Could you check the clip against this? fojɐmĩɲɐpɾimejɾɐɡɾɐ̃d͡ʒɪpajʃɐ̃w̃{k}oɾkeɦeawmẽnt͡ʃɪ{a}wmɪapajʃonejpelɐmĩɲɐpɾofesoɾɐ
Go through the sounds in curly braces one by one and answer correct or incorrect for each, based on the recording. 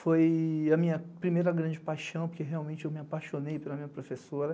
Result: incorrect: p, incorrect: e

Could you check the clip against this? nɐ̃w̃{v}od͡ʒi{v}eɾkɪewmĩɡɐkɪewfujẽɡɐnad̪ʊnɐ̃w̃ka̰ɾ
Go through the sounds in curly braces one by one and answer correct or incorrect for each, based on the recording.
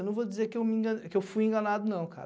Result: correct, incorrect: z

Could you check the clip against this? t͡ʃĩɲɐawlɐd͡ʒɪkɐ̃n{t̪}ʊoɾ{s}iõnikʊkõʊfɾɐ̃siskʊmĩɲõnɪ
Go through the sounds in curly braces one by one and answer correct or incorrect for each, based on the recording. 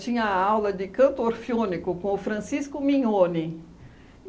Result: correct, incorrect: f

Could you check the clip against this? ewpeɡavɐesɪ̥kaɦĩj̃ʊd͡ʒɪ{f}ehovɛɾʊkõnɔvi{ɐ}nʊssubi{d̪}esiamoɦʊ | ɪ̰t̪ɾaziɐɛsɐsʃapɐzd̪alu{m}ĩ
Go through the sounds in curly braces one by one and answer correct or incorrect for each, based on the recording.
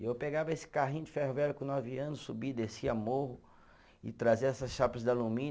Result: correct, incorrect: ɐ̃, correct, correct

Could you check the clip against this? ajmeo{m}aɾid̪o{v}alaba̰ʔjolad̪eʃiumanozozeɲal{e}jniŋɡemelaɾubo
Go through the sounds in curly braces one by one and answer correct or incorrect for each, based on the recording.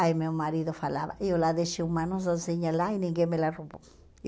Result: correct, incorrect: f, incorrect: a

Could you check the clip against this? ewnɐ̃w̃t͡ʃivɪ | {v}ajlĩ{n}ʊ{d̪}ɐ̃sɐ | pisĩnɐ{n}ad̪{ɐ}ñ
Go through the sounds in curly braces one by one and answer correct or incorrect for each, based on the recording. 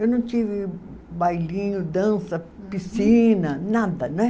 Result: incorrect: b, incorrect: ɲ, correct, correct, correct

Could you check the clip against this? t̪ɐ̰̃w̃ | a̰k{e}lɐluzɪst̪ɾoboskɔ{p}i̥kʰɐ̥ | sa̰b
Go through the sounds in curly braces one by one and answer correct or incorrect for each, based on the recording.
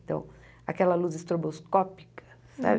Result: incorrect: ɛ, correct

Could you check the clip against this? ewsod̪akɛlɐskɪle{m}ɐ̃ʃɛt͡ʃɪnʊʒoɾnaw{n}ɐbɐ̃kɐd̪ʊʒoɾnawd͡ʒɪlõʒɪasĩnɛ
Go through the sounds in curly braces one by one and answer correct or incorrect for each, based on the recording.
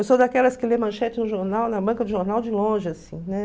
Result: correct, correct

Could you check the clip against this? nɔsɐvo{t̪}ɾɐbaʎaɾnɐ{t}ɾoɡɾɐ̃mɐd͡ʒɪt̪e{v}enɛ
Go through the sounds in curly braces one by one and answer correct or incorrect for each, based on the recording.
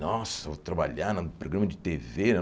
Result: correct, incorrect: p, correct

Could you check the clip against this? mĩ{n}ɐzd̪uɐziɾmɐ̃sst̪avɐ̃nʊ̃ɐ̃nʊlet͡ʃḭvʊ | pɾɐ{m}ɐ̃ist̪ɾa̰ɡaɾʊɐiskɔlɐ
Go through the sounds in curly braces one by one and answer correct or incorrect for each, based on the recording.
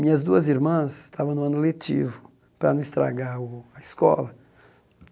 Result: incorrect: ɲ, incorrect: n

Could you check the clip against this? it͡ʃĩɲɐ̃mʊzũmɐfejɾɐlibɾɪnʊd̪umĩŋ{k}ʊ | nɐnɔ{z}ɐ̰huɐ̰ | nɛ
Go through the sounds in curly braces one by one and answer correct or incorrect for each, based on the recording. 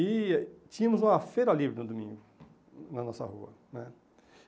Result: incorrect: ɡ, incorrect: s

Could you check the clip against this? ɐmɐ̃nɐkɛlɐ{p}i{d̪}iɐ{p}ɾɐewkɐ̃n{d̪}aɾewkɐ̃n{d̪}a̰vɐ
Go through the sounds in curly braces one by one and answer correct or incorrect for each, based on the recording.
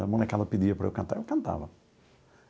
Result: correct, correct, correct, incorrect: t̪, incorrect: t̪

